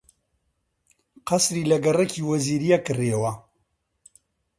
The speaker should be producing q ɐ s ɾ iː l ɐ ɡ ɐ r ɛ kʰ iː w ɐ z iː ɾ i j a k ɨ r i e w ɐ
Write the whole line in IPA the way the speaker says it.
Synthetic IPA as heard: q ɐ s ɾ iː l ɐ ɡ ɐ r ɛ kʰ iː w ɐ z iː ɾ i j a k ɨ r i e w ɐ